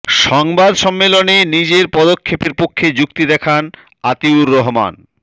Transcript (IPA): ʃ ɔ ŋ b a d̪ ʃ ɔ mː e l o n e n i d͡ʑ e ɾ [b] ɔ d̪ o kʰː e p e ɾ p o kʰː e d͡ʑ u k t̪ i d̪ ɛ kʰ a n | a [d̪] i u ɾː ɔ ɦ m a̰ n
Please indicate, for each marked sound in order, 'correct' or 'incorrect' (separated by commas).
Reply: incorrect, incorrect